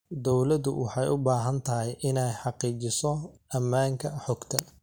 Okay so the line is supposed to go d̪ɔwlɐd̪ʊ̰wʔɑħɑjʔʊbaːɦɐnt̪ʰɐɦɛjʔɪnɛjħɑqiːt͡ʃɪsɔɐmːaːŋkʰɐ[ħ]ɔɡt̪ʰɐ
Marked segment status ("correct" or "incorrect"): correct